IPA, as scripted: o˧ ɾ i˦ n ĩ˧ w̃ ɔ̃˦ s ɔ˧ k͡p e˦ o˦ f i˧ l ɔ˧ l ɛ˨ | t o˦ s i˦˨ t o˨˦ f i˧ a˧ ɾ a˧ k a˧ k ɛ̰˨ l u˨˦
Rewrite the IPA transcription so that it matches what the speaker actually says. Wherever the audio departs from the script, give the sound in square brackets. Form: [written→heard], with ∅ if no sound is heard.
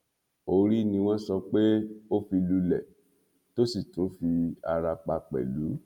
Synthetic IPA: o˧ ɾ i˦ n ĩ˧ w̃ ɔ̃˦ s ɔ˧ k͡p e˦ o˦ f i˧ l [ɔ˧→u˧] l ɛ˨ | t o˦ s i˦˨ t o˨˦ f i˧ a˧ ɾ a˧ [k→k͡p] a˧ [k→k͡p] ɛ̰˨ l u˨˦